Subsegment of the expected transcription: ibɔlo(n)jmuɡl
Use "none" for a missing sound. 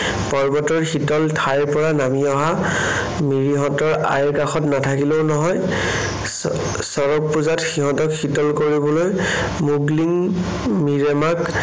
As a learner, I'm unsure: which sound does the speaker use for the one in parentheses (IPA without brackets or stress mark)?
none